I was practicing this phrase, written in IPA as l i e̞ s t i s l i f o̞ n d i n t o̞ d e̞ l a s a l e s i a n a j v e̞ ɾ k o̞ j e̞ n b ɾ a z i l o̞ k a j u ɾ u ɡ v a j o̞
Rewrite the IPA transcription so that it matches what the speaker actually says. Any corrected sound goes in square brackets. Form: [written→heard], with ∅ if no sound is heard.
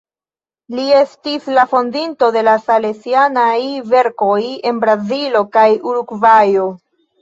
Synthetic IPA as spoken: l i e̞ s t i s l [i→a] f o̞ n d i n t o̞ d e̞ l a s a l e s i a n a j v e̞ ɾ k o̞ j e̞ n b ɾ a z i l o̞ k a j u ɾ u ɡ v a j o̞